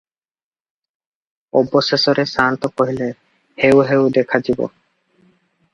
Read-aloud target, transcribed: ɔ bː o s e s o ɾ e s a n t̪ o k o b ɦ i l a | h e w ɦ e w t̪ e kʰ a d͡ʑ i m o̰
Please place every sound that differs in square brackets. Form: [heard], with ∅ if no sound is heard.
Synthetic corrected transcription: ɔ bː o s e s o ɾ e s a n t̪ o k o [∅] ɦ i l [e] | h e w ɦ e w [d̪] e kʰ a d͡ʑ i [b] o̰